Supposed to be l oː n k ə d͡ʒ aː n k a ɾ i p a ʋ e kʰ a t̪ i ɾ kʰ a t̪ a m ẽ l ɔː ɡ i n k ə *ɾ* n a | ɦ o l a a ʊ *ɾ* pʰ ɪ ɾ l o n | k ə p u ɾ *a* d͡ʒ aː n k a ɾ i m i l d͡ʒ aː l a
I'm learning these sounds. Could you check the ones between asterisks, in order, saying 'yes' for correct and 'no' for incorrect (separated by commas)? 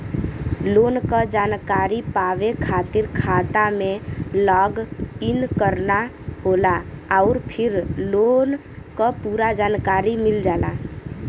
yes, yes, yes